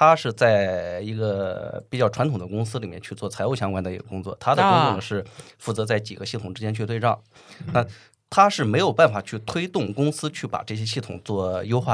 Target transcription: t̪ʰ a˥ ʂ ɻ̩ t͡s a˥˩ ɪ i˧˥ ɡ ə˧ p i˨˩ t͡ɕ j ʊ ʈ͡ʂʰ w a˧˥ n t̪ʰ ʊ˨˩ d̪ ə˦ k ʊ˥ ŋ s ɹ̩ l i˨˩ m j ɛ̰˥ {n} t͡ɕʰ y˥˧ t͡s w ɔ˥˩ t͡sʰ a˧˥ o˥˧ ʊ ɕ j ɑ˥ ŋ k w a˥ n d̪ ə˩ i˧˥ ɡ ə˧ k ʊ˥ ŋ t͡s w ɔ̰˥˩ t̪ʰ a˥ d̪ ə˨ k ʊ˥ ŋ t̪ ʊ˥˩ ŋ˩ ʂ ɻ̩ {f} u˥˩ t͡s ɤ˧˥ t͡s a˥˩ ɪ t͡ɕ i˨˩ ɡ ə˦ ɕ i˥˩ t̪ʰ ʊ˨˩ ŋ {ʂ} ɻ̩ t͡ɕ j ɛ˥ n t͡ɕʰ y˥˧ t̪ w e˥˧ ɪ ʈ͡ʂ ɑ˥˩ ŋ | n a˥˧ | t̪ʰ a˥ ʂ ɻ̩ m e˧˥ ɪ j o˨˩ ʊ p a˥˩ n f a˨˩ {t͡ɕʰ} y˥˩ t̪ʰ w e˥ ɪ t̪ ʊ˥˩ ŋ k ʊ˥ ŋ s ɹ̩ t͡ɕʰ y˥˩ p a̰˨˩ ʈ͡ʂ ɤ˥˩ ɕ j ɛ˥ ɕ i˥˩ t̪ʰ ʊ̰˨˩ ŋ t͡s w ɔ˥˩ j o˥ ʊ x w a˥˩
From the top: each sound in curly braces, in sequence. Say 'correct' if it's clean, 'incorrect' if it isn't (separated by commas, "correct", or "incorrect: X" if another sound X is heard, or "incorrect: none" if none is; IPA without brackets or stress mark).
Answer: correct, correct, incorrect: ʈ͡ʂ, correct